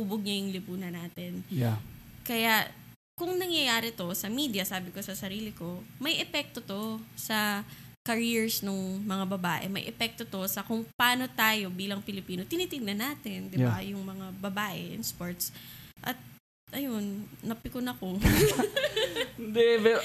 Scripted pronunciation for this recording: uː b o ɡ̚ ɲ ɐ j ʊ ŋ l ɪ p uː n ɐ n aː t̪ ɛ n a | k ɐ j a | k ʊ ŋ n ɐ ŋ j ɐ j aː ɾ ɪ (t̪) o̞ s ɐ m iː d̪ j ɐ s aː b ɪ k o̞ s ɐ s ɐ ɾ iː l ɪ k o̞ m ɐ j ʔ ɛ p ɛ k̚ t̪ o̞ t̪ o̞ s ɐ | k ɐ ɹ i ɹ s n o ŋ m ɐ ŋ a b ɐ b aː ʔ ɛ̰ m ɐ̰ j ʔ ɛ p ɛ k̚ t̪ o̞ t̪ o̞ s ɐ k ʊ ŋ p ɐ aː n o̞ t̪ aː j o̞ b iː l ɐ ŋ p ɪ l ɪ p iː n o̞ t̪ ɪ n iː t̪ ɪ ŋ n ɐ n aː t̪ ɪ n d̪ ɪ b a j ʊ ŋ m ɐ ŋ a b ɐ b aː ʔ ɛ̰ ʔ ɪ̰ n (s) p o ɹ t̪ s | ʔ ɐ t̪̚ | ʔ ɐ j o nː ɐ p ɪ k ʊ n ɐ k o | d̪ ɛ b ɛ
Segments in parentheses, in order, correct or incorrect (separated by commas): correct, correct